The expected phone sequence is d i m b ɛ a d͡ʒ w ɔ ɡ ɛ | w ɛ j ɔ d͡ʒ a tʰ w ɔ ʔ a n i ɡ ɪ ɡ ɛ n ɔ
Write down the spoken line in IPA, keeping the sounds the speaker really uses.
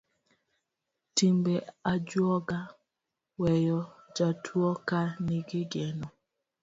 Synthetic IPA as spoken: t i m b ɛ a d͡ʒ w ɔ ɡ a | w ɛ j ɔ d͡ʒ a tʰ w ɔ k a n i ɡ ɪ ɡ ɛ n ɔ

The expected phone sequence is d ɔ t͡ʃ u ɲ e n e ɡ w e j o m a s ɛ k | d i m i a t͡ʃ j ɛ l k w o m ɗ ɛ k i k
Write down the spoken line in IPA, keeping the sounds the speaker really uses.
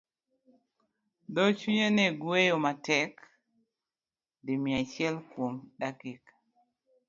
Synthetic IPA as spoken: d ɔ t͡ʃ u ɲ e n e ɡ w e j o m a t ɛ k | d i m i a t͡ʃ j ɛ l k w o m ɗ a k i k

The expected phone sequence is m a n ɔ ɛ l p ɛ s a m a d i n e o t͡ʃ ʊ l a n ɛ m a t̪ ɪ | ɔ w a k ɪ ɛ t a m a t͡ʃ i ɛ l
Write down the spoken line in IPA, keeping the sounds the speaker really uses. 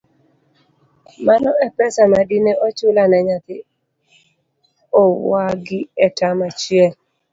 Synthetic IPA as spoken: m a n ɔ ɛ p ɛ s a m a d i n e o t͡ʃ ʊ l a n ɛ ɲ a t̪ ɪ | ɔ w a ɡ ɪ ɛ t a m a t͡ʃ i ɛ l

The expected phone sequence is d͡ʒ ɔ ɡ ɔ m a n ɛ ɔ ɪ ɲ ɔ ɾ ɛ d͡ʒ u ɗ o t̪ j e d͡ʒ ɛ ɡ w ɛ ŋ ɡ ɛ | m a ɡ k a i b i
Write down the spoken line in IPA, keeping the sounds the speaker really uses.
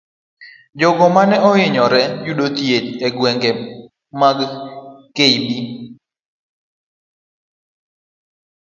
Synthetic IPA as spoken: d͡ʒ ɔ ɡ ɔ m a n ɛ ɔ ɪ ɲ ɔ ɾ ɛ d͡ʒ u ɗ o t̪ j e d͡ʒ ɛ ɡ w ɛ ŋ ɡ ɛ | m a ɡ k e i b i

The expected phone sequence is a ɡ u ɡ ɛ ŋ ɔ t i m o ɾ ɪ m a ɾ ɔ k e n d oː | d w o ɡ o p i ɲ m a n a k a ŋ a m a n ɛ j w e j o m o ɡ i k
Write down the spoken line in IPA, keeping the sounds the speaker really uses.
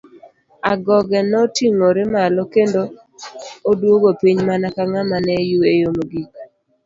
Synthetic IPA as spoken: a ɡ ɔ ɡ ɛ n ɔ t i ŋ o ɾ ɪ m a l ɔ k e n d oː | d w o ɡ o p i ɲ m a n a k a ŋ a m a n ɛ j u e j o m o ɡ i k

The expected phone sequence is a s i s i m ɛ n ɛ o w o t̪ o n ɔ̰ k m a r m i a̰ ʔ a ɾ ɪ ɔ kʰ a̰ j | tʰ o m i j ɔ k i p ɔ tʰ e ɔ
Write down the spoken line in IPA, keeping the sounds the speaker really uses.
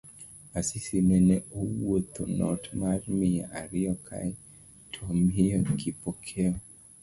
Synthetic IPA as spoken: a s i s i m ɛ n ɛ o w o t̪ o n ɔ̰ t m a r m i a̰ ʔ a ɾ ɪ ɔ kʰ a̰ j | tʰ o m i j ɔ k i p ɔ kʰ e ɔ

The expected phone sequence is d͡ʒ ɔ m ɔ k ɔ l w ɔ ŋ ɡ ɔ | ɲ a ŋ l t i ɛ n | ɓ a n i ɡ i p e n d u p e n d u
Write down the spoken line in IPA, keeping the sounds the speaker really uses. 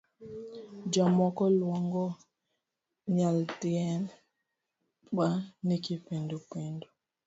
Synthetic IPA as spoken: d͡ʒ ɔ m ɔ k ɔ l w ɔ ŋ ɡ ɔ | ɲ a l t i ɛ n | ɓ a n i k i p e n d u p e n d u

